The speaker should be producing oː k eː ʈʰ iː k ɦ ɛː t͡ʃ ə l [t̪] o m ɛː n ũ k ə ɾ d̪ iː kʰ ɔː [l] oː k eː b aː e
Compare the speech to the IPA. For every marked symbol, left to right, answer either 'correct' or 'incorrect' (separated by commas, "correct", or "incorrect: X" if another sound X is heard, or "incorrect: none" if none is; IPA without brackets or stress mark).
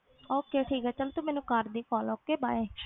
correct, correct